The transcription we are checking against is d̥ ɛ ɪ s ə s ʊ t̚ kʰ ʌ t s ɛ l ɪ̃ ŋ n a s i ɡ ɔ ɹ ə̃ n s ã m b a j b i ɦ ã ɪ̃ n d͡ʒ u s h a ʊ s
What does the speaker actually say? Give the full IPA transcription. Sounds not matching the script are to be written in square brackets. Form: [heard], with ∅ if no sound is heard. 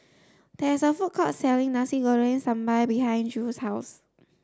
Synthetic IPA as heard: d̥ ɛ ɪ s ə [f] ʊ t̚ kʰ [ɔ] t s ɛ l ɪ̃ ŋ n a s i ɡ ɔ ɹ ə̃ n s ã m b a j b i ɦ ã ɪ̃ n d͡ʒ u s h a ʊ s

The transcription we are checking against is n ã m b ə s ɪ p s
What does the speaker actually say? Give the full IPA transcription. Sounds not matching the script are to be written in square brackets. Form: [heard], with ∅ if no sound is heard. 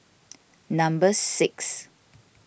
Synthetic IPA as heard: n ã m b ə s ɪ [k] s

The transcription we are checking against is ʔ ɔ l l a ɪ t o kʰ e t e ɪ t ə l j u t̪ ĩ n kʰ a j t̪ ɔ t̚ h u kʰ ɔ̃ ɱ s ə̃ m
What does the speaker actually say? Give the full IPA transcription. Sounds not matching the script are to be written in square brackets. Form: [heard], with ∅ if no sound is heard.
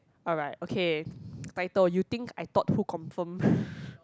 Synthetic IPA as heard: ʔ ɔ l [ɹ] a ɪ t o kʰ e t [a] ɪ t ə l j u t̪ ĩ [ŋ] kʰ a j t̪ ɔ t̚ h u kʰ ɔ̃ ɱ [f] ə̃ m

